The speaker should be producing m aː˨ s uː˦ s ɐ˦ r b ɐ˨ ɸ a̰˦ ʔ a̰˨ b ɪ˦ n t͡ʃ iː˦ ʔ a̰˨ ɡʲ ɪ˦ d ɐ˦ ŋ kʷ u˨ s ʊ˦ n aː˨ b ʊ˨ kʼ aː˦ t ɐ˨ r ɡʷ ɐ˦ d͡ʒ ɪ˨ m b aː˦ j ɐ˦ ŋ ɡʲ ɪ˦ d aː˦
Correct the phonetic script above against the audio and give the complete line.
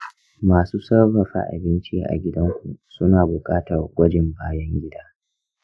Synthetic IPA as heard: m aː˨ s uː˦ s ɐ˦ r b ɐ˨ ɸ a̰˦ ʔ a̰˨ b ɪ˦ n t͡ʃ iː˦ ʔ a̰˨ ɡʲ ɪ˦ d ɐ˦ ŋ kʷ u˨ s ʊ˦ n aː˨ b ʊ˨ kʼ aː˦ t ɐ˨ r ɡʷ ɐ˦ d͡ʒ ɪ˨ m b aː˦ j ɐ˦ ŋ ɡʲ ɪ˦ d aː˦